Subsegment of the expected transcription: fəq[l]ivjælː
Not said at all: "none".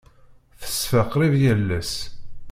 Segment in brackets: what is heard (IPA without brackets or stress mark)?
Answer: ɾ